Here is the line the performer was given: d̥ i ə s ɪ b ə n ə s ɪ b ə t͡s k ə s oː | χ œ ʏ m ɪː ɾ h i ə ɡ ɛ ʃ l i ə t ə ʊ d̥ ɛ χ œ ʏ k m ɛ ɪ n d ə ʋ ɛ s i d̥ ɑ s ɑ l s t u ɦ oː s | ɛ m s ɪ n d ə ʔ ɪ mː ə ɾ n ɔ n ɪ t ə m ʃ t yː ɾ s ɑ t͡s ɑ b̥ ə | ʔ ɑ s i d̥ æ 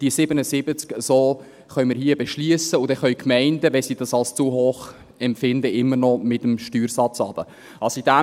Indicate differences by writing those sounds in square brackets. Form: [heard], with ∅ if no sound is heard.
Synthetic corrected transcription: d̥ i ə s ɪ b ə n ə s ɪ b ə t͡s k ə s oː | χ œ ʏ m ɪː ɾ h i ə [b] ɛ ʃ l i ə [s] ə ʊ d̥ ɛ χ œ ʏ k m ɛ ɪ n d ə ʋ ɛ s i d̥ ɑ s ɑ l s [t͡s] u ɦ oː [χ] | ɛ m [f] ɪ n d ə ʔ ɪ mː ə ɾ n ɔ [m] ɪ t ə m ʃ t yː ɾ s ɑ t͡s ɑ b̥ ə | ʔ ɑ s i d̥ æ